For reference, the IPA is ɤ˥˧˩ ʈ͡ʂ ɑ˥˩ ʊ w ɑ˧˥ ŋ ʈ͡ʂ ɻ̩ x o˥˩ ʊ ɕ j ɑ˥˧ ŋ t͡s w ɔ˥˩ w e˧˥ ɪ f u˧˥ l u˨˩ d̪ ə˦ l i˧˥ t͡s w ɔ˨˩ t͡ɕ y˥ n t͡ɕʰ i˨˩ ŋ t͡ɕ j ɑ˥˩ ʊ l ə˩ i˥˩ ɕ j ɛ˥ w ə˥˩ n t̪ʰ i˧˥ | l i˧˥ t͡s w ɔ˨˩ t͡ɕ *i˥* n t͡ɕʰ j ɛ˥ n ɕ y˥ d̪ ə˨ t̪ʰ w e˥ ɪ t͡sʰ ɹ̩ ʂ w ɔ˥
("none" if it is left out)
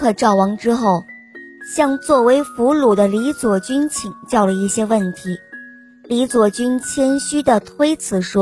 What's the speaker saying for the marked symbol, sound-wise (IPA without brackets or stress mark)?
y˥